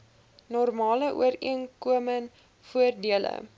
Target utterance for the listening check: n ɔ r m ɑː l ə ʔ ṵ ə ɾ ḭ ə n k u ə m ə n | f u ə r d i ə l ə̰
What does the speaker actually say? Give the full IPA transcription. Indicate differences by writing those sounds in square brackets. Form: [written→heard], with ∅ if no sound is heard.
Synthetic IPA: n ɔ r m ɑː l ə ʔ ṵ ə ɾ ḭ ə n k u ə m ə n | f u ə r d i ə l ə̰